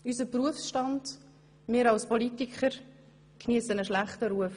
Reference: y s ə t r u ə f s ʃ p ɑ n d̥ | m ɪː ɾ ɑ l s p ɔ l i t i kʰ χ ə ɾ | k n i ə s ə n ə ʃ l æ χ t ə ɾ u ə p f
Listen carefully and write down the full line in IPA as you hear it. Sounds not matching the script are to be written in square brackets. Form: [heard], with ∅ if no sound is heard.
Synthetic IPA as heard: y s ə [p] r u ə f s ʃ [t] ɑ n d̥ | m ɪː ɾ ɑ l s p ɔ l i t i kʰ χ ə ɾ | k n i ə s ə n ə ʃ l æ χ t ə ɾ u ə [∅] f